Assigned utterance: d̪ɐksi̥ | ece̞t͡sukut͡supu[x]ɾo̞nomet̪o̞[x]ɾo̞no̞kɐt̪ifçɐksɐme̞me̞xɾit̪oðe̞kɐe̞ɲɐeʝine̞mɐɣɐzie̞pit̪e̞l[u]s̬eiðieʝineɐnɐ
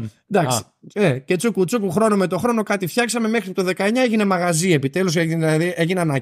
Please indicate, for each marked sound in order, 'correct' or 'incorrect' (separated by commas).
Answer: correct, correct, correct